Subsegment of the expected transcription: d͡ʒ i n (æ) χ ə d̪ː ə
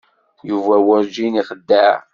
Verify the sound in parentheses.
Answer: incorrect: i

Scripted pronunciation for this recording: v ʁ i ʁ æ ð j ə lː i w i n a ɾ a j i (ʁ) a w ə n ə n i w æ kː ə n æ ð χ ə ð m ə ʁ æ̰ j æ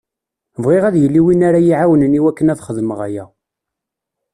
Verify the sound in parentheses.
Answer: incorrect: ʕ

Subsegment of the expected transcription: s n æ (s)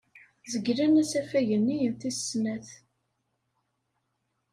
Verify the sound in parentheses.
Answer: incorrect: θ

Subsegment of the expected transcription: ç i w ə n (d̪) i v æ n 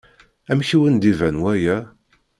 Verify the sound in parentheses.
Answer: correct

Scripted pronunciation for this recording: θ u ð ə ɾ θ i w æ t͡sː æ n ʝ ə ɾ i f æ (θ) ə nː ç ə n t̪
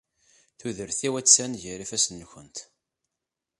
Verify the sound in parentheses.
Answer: incorrect: s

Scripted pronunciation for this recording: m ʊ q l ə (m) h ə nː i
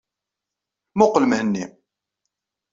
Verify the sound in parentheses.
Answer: correct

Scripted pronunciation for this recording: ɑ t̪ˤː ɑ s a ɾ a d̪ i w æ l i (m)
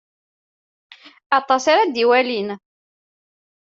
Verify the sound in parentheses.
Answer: incorrect: n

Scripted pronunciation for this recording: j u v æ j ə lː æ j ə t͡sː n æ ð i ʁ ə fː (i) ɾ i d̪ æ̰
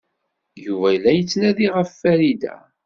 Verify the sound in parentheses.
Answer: incorrect: æ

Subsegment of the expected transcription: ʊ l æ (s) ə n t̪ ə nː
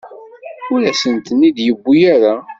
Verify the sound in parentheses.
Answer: correct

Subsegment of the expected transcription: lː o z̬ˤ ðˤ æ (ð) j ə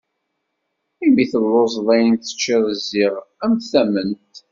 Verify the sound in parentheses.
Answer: incorrect: none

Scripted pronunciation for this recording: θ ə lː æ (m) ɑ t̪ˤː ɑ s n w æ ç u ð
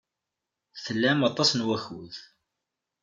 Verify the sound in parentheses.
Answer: correct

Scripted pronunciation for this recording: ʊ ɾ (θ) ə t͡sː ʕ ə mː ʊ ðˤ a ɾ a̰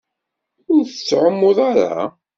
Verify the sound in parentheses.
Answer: correct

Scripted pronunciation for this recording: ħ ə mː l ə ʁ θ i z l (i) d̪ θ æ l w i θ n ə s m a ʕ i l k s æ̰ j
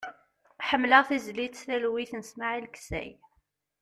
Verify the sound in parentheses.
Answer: correct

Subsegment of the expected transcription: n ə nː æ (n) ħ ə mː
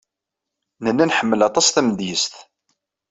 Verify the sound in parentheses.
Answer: correct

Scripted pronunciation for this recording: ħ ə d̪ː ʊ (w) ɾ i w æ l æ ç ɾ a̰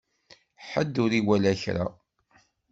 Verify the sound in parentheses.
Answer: incorrect: none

